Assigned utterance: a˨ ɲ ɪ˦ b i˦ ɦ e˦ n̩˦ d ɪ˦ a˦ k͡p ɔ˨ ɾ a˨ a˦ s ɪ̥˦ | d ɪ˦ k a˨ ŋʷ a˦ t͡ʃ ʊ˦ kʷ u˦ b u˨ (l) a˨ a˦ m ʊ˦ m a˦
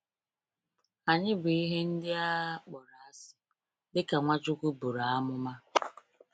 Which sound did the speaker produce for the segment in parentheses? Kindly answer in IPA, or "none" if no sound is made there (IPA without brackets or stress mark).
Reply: ɾ